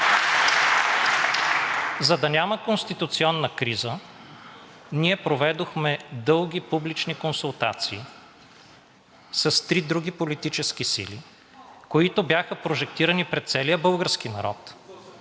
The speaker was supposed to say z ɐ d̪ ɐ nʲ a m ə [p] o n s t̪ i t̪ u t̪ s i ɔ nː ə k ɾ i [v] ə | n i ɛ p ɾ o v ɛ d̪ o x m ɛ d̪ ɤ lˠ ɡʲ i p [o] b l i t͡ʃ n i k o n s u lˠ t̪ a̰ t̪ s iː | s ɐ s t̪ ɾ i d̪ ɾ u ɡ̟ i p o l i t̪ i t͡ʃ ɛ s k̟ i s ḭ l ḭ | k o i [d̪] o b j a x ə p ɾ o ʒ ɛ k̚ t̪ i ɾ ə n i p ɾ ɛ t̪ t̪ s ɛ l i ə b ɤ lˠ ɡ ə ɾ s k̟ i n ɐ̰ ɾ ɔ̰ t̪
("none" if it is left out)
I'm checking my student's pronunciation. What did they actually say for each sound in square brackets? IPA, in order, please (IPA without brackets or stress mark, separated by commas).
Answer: k, z, u, t̪